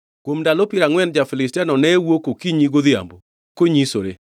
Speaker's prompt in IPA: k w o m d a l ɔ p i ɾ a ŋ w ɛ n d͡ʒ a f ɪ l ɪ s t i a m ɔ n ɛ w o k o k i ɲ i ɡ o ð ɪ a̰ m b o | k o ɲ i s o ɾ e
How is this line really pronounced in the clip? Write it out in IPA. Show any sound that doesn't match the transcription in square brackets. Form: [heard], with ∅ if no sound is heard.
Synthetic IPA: k w o m d a l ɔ p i ɾ a ŋ w ɛ n d͡ʒ a f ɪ l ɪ s t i a [n] ɔ n ɛ w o k o k i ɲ i ɡ o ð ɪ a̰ m b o | k o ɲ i s o ɾ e